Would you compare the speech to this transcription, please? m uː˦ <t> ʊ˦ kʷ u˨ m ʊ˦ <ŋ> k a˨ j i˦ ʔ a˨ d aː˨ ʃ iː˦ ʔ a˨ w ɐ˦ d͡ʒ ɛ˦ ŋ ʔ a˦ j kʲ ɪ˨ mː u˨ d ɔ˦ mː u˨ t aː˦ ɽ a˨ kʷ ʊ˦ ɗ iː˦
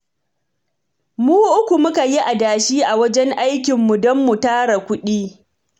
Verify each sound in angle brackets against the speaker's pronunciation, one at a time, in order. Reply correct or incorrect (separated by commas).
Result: incorrect, incorrect